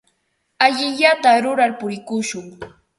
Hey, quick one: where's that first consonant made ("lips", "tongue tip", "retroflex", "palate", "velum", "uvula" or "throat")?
palate